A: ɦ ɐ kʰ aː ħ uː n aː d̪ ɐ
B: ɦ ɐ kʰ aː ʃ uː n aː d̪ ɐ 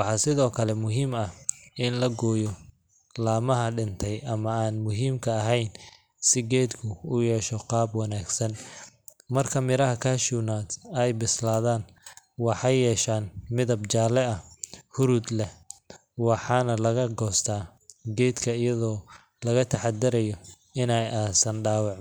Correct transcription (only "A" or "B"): B